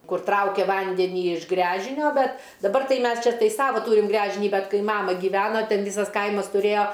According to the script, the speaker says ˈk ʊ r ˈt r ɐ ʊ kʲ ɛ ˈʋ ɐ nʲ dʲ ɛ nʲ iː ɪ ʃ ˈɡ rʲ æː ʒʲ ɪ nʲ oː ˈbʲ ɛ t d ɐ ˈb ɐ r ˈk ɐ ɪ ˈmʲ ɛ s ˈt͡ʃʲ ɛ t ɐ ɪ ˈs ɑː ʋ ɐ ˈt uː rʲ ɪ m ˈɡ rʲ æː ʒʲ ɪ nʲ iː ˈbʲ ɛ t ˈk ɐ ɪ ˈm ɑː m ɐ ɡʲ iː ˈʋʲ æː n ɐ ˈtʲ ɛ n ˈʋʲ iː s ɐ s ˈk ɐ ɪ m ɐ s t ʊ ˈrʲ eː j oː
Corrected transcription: ˈk ʊ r ˈt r ɐ ʊ kʲ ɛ ˈʋ ɐ nʲ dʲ ɛ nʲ iː ɪ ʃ ˈɡ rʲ æː ʒʲ ɪ nʲ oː ˈbʲ ɛ t d ɐ ˈb ɐ r ˈt ɐ ɪ ˈmʲ ɛ s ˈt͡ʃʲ ɛ t ɐ ɪ ˈs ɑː ʋ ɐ ˈt uː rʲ ɪ m ˈɡ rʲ æː ʒʲ ɪ nʲ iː ˈbʲ ɛ t ˈk ɐ ɪ ˈm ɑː m ɐ ɡʲ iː ˈʋʲ æː n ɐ ˈtʲ ɛ n ˈʋʲ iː s ɐ s ˈk ɐ ɪ m ɐ s t ʊ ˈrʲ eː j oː